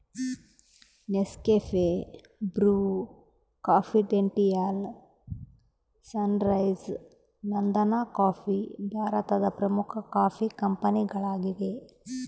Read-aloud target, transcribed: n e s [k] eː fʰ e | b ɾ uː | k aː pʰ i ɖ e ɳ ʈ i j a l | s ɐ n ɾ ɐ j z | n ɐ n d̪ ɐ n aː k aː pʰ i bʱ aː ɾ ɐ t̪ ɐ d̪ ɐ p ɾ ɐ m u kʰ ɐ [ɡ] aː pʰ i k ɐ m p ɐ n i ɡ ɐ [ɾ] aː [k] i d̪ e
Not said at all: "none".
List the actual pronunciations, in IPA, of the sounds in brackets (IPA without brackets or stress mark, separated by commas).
k, k, ɭ, ɡ